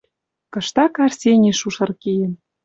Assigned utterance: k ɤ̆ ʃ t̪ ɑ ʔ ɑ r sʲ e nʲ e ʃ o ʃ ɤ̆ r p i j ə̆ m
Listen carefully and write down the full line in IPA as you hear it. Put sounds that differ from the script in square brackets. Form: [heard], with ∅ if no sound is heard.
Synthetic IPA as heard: k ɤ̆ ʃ t̪ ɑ [k] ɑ r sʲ e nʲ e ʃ [u] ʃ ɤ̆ r [k] i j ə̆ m